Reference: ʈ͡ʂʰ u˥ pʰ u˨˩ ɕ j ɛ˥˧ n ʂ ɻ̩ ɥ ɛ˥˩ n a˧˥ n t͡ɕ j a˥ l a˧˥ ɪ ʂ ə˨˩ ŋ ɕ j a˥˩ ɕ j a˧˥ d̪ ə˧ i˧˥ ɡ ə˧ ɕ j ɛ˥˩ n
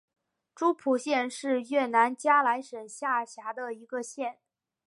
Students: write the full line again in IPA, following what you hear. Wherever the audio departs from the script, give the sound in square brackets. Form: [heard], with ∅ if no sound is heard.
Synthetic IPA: [ʈ͡ʂ] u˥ pʰ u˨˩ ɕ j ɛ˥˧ n ʂ ɻ̩ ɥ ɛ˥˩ n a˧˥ n t͡ɕ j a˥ l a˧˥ ɪ ʂ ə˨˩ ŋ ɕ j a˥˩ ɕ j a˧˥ d̪ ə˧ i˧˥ ɡ ə˧ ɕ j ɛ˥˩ n